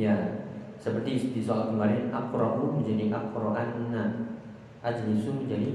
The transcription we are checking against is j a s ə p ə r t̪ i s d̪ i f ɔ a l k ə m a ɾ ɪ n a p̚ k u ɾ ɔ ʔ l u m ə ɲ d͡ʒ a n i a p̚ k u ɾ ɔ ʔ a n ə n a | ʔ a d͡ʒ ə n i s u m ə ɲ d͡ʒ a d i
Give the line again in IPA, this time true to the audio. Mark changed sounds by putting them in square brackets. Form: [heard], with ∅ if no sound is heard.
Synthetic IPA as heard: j a s ə p ə r t̪ i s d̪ i [s] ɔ a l k ə m a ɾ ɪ n a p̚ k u ɾ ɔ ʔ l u m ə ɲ d͡ʒ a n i a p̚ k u ɾ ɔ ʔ a n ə n a | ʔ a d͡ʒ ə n i s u m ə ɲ d͡ʒ a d i